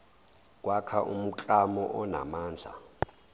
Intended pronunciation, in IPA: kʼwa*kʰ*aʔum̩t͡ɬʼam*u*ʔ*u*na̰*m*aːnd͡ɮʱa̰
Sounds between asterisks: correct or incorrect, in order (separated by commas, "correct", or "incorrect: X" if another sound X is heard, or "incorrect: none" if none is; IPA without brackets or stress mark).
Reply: correct, incorrect: ɔ, incorrect: ɔ, correct